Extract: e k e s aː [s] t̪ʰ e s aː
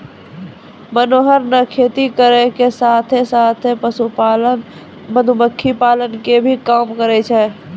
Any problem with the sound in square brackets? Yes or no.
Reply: yes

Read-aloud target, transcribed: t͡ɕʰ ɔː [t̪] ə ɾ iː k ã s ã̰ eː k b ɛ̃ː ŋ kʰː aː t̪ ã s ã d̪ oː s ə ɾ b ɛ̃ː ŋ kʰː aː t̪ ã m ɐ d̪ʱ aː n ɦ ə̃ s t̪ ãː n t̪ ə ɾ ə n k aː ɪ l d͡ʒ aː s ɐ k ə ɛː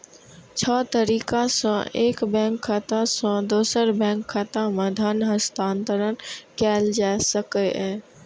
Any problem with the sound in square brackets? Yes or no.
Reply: no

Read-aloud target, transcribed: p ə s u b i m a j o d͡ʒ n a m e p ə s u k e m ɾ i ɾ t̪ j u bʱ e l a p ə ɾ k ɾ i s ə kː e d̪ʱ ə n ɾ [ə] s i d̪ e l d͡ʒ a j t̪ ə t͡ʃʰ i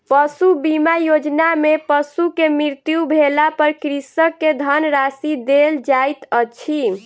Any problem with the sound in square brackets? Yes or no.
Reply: yes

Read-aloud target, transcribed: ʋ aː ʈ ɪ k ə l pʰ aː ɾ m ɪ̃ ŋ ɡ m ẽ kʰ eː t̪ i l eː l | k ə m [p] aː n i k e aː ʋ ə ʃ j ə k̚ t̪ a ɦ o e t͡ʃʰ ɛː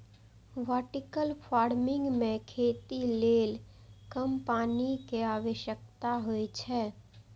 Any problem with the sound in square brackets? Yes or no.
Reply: no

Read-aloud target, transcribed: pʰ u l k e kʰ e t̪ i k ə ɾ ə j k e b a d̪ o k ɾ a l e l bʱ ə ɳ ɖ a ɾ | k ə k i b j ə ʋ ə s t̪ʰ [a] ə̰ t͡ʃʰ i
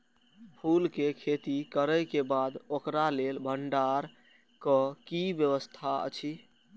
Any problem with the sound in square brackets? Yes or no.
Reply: no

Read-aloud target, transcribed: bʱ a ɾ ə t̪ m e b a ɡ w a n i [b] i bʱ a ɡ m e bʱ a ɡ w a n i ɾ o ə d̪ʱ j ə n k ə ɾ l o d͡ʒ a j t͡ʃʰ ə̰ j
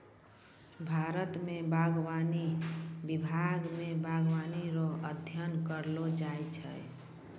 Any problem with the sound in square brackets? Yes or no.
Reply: no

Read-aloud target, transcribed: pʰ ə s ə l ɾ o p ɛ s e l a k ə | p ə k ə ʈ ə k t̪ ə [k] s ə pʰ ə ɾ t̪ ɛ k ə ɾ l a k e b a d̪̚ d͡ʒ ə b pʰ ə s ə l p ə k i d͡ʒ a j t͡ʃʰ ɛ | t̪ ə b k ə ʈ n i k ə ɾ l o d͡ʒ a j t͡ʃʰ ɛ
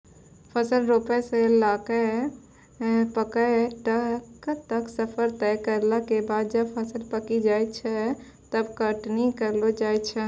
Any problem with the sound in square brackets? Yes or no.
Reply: no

